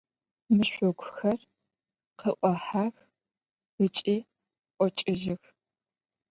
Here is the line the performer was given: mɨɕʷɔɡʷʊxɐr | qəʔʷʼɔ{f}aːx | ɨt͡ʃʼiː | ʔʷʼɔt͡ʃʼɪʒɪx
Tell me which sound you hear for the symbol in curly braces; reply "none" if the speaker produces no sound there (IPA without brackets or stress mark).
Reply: ħ